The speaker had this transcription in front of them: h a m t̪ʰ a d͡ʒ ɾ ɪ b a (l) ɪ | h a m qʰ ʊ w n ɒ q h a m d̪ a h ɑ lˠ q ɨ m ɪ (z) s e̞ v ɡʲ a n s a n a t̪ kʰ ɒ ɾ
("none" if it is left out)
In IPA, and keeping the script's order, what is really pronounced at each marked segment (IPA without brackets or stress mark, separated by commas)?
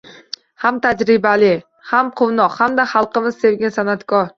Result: l, z